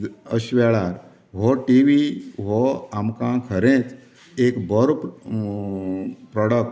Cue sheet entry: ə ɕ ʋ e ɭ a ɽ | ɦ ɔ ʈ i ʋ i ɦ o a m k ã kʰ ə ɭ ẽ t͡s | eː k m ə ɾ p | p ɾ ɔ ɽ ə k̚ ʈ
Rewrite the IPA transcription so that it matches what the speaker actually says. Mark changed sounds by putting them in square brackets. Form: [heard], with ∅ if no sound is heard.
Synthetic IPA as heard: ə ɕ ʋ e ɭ a [ɾ] | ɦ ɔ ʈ i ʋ i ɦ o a m k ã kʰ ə [ɾ] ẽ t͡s | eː k [b] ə ɾ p | p ɾ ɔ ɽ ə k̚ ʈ